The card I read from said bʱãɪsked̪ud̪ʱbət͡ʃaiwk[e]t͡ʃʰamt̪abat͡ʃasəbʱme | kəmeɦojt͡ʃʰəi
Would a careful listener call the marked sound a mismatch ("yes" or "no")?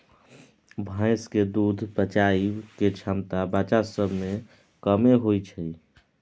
no